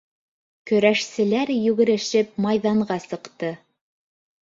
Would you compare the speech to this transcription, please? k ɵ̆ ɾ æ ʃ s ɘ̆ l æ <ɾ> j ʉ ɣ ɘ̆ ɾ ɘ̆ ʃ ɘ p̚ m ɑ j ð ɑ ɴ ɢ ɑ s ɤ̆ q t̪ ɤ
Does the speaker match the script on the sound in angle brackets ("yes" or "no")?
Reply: yes